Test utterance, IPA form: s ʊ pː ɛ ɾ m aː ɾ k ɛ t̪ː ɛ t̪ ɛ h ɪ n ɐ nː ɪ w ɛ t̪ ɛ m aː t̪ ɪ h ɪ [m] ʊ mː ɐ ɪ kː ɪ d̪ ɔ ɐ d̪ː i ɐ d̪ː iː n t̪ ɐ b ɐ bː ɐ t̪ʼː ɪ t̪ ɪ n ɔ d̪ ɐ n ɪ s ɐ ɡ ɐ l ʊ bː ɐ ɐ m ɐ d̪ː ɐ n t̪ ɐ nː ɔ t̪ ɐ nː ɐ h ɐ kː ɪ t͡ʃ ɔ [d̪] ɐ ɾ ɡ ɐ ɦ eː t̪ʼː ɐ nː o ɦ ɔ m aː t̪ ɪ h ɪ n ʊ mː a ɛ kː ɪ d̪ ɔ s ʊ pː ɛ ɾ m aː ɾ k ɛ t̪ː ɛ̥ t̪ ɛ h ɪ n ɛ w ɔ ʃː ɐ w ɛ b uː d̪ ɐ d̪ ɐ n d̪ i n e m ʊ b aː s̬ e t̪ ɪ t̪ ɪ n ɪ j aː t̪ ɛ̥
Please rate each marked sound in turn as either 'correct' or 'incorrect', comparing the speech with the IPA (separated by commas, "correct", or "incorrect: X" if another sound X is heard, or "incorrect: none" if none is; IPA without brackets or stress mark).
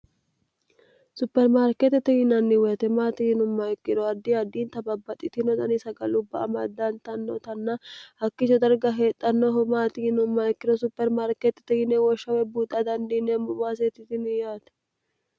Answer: incorrect: n, correct